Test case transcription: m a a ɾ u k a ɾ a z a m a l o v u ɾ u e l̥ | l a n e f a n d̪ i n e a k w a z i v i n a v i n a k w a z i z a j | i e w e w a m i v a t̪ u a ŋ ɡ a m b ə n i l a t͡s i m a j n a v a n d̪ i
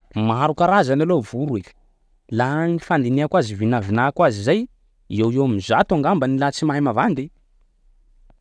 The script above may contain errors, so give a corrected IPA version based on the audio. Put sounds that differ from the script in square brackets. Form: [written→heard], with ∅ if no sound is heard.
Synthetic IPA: m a a ɾ u k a ɾ a z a [m→n] a l o v u ɾ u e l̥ | l a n [e→i] f a n d̪ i n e a k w a z i v i n a v i n a k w a z i z a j | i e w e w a m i [v→z] a t̪ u a ŋ ɡ a m b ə n i l a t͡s i m a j [n→m] a v a n d̪ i